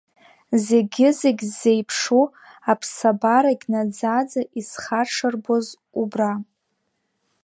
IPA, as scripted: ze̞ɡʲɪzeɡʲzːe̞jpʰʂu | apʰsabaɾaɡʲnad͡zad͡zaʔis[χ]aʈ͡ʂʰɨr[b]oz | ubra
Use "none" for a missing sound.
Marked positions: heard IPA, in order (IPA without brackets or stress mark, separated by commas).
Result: χ, b